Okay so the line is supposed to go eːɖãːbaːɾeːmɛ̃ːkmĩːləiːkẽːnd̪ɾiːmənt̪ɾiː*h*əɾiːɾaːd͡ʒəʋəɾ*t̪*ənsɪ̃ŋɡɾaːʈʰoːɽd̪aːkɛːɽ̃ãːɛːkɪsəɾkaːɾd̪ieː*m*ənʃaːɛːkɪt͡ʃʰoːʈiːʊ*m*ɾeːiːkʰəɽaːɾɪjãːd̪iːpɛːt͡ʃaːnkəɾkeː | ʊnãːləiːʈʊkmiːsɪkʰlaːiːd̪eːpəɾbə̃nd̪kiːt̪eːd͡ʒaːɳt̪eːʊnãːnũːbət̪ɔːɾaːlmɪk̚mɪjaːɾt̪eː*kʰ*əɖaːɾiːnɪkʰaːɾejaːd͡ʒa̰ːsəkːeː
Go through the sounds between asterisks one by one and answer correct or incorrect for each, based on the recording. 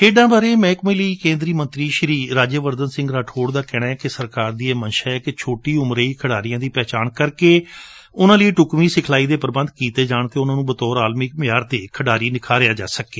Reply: incorrect, incorrect, correct, correct, correct

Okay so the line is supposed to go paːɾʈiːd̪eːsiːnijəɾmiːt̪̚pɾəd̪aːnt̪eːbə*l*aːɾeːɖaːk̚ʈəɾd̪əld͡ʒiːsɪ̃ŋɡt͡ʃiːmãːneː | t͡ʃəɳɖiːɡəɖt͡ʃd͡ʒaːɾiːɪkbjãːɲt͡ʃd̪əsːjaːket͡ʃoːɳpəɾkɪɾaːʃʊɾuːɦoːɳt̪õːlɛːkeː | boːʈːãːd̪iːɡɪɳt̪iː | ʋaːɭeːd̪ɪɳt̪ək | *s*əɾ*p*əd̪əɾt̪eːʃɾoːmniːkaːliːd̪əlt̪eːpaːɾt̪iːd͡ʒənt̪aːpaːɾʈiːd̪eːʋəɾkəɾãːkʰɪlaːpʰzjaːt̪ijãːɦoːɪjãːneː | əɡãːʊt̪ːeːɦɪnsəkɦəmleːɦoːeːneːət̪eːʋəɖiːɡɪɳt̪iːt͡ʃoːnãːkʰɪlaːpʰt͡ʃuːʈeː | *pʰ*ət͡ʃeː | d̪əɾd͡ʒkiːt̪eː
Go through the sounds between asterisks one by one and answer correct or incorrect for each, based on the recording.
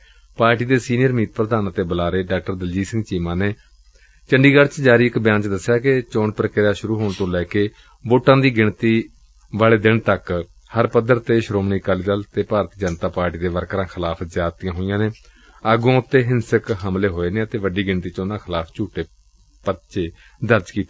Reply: correct, incorrect, correct, incorrect

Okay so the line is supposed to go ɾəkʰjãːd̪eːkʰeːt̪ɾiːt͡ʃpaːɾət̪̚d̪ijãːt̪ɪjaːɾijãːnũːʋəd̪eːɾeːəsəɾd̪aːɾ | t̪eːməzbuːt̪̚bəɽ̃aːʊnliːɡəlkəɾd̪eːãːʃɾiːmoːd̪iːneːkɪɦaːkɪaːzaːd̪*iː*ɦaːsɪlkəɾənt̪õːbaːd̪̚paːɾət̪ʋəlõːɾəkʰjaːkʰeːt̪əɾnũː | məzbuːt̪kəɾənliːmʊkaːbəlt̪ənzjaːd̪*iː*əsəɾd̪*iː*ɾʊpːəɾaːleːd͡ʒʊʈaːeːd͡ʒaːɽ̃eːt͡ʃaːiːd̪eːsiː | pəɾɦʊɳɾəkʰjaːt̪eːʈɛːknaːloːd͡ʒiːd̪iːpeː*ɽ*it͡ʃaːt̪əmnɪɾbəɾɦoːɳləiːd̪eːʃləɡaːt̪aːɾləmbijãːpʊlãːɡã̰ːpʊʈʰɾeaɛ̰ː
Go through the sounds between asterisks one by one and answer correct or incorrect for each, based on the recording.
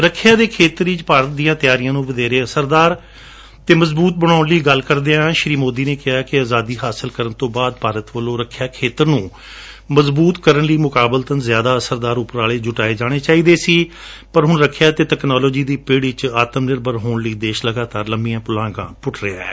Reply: correct, incorrect, incorrect, correct

